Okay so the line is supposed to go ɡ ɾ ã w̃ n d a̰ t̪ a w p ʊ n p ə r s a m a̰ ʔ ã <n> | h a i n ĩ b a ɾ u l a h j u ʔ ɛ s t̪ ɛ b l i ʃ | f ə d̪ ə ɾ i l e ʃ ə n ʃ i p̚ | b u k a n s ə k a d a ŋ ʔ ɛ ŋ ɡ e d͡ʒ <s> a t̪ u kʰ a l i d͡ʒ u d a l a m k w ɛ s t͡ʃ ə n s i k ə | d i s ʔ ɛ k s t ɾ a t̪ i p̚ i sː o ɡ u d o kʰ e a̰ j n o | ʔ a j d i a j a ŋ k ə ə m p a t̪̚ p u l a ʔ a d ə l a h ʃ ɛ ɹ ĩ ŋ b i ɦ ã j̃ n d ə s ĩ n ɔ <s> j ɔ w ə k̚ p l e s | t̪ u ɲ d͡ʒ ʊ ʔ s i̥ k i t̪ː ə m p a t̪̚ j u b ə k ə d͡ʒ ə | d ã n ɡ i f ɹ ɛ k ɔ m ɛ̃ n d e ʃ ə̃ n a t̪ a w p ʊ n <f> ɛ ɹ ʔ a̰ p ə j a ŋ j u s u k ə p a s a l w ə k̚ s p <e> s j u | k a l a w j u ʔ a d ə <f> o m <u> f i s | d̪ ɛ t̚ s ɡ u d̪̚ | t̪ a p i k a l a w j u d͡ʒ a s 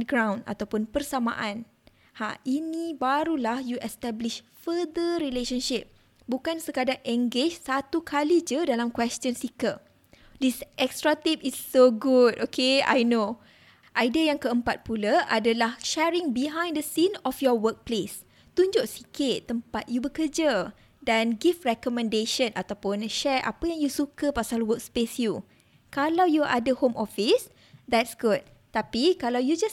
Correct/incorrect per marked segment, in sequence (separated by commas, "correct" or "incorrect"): correct, correct, incorrect, incorrect, correct, incorrect, incorrect